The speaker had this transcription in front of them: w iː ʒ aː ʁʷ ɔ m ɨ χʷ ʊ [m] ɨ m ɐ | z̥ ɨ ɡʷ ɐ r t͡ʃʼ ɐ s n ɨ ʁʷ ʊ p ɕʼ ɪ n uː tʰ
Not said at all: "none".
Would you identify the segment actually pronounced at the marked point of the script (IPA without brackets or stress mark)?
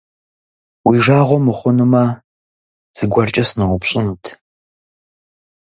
n